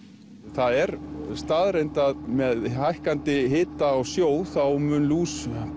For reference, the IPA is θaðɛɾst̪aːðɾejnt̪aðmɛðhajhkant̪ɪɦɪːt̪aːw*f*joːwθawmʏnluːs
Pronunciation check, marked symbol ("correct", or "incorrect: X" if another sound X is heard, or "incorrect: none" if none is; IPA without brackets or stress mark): incorrect: s